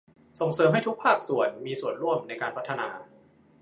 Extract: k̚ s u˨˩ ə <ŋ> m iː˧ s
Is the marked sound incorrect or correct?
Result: incorrect